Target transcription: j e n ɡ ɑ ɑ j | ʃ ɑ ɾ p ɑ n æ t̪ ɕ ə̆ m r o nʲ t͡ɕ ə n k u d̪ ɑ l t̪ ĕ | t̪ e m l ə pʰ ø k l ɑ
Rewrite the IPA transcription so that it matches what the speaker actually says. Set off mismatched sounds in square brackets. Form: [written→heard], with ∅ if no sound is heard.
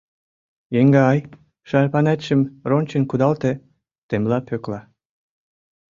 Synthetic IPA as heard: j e [n→ŋ] ɡ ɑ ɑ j | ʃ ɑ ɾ p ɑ n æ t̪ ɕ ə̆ m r o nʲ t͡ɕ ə n k u d̪ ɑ l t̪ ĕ | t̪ e m l [ə→ɑ] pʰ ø k l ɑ